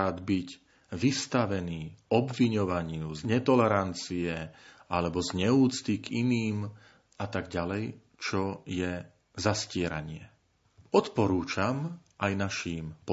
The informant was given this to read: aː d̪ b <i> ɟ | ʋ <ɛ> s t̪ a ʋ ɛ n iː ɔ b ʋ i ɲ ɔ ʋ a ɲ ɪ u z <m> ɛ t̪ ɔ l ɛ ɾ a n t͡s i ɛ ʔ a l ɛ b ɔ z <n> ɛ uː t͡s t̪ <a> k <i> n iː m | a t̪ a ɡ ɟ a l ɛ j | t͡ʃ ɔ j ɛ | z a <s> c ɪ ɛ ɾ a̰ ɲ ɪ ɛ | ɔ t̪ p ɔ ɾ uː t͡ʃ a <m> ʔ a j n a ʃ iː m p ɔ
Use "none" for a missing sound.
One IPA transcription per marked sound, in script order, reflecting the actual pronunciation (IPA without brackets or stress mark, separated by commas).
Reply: i, i, ɲ, ɲ, i, i, s, m